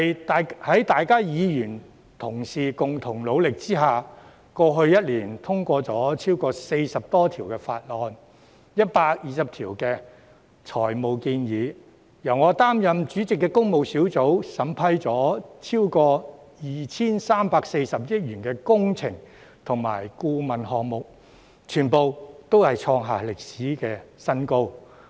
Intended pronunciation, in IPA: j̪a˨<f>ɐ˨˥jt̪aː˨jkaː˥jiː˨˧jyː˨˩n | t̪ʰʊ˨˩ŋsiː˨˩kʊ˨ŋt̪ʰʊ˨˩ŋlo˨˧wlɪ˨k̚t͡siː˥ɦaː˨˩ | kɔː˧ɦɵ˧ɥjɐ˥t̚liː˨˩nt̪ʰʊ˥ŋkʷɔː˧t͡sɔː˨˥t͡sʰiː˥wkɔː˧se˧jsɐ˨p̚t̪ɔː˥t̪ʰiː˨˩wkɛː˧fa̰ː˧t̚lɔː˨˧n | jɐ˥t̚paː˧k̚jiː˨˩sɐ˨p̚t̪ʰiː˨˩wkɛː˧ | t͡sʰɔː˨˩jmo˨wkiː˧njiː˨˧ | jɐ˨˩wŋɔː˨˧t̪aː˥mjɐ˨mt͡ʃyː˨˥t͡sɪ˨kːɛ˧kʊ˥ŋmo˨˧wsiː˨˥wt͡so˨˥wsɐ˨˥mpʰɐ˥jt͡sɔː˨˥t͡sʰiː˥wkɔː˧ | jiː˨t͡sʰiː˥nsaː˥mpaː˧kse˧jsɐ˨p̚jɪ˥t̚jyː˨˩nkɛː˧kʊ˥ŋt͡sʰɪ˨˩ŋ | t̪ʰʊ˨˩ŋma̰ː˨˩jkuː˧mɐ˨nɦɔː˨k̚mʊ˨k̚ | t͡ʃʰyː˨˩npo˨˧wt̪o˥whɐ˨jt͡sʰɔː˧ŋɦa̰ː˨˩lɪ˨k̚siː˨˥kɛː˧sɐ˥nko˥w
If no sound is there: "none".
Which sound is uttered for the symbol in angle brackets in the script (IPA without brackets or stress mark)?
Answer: h